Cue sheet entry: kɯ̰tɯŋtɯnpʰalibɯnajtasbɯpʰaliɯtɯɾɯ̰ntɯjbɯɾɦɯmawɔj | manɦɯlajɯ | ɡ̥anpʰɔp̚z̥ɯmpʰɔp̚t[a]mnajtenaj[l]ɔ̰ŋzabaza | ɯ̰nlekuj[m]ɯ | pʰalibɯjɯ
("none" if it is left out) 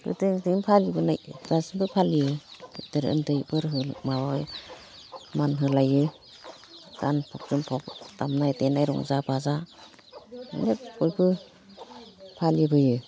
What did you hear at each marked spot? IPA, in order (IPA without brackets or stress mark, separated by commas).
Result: a, ɾ, b